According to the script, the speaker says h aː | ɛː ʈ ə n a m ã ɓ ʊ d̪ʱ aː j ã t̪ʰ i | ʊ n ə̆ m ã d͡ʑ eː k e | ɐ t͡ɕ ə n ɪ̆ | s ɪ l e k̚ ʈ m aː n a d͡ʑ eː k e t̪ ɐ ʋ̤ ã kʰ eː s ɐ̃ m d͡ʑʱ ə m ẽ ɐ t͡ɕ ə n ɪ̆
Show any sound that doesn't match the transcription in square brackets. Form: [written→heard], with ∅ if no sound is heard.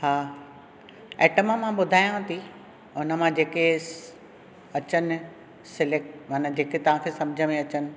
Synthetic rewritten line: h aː | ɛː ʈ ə [n→m] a m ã ɓ ʊ d̪ʱ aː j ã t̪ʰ i | ʊ n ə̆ m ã d͡ʑ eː k e | ɐ t͡ɕ ə n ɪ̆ | s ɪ l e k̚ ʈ m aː n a d͡ʑ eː k e t̪ ɐ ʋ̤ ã kʰ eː s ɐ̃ m d͡ʑʱ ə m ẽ ɐ t͡ɕ ə n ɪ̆